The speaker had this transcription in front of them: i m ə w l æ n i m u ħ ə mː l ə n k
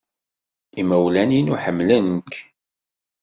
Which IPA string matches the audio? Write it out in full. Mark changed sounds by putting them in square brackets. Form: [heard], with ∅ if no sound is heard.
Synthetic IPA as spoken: i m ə w l æ n i [n] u ħ ə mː l ə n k